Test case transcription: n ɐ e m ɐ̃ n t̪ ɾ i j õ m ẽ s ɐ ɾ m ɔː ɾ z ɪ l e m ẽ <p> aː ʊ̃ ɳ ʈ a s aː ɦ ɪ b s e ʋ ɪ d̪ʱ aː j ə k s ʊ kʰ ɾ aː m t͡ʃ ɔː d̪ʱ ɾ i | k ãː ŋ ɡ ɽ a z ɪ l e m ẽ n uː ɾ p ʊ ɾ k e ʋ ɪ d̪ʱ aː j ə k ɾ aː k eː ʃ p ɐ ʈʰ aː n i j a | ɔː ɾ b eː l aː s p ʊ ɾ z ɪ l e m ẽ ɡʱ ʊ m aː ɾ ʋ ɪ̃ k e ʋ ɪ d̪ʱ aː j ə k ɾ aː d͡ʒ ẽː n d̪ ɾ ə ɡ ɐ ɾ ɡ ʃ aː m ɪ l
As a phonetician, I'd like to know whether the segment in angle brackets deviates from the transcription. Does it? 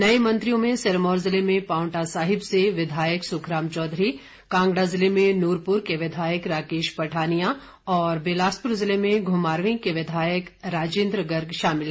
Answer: no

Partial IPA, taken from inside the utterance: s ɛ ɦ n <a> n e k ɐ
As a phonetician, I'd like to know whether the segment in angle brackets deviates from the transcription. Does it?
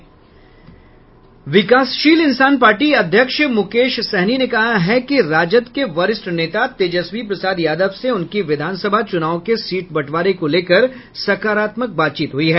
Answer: yes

